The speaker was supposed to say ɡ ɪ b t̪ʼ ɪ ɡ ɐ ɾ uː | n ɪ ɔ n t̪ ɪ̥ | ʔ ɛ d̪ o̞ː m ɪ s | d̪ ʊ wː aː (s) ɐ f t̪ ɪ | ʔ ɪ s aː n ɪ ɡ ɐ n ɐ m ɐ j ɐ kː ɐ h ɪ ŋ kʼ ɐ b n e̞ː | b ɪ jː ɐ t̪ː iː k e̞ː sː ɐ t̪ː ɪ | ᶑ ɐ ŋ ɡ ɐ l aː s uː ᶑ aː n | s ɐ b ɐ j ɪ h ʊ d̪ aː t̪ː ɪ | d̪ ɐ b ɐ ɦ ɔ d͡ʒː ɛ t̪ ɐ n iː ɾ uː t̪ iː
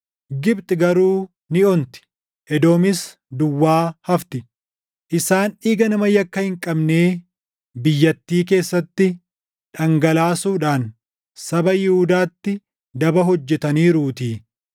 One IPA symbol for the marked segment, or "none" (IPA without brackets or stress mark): h